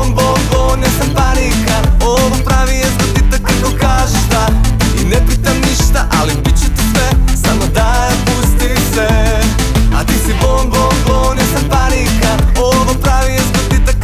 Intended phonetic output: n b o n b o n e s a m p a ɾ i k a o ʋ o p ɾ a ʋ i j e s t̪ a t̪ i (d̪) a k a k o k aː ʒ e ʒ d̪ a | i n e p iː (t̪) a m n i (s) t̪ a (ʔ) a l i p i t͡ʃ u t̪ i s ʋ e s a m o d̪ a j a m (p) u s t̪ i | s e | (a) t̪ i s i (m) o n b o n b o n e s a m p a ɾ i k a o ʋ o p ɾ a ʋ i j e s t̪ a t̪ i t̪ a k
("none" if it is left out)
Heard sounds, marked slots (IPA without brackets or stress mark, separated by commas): t̪, t̪, ʃ, ʔ, p, a, b